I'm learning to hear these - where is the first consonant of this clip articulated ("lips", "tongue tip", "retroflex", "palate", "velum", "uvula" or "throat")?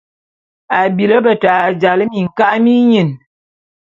lips